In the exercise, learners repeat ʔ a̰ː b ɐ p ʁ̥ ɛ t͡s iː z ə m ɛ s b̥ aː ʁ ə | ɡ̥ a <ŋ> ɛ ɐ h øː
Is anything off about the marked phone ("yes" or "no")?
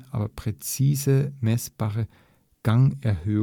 no